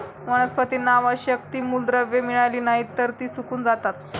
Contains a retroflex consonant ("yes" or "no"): yes